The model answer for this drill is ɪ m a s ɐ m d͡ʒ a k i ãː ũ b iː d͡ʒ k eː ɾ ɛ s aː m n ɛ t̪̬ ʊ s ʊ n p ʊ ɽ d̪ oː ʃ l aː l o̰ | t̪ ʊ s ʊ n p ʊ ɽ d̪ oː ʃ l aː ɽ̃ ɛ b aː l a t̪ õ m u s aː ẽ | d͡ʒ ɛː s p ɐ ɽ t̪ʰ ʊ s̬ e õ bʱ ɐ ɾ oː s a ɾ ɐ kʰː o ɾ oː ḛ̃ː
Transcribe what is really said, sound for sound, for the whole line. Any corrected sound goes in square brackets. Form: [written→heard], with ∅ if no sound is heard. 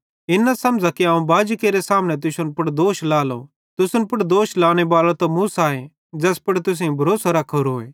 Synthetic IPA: ɪ [m→n] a s ɐ m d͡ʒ a k i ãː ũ b [iː→aː] d͡ʒ k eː ɾ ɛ s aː m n ɛ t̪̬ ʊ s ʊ n p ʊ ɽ d̪ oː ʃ l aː l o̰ | t̪ ʊ s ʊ n p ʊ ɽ d̪ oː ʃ l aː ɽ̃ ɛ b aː l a t̪ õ m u s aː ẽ | d͡ʒ ɛː s p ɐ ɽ [t̪ʰ→t̪] ʊ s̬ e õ bʱ ɐ ɾ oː s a ɾ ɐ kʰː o ɾ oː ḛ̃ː